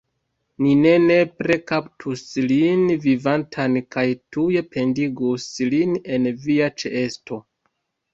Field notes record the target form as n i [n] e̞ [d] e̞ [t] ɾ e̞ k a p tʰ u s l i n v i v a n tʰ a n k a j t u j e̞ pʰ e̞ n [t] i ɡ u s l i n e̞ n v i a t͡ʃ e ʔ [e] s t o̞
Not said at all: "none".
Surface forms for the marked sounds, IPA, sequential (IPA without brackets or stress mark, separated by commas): n, n, p, d, e